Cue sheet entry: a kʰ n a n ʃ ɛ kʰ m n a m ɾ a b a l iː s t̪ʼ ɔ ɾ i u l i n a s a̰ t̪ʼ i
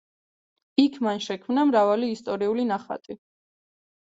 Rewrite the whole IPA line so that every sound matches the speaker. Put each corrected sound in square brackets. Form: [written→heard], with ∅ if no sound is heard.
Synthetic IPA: [a→i] kʰ [n→m] a n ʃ ɛ kʰ m n a m ɾ a [b→v] a l iː s t̪ʼ ɔ ɾ i u l i n a [s→χ] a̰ t̪ʼ i